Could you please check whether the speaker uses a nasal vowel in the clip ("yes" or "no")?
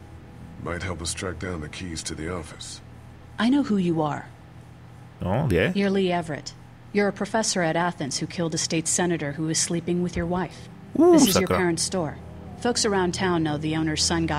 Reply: yes